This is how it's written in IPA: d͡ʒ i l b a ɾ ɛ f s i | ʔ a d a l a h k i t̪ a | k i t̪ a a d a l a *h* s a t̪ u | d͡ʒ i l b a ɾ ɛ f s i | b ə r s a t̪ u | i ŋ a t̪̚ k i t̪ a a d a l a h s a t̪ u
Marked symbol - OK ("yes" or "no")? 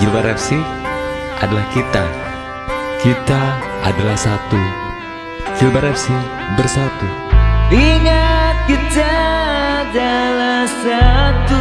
yes